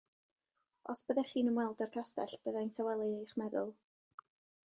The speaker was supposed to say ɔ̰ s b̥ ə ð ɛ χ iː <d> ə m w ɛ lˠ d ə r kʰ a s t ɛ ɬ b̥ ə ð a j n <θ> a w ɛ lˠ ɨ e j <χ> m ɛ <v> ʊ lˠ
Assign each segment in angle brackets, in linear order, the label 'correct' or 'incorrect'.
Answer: incorrect: n, correct, correct, incorrect: ð

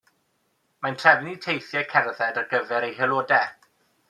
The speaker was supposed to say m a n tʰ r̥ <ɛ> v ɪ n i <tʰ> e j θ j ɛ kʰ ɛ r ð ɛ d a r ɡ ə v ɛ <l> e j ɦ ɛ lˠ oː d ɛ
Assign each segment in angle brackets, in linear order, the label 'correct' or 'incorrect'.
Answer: correct, correct, incorrect: ɾ

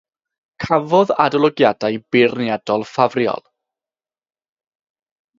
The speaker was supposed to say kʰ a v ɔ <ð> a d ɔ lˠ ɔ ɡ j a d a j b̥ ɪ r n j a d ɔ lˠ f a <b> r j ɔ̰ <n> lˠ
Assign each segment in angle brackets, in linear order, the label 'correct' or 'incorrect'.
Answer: correct, incorrect: v, incorrect: none

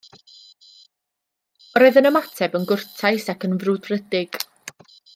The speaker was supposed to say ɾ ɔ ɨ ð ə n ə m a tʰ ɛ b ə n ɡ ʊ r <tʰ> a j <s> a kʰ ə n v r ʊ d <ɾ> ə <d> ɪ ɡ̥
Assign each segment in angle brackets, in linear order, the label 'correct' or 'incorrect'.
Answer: correct, correct, incorrect: r, correct

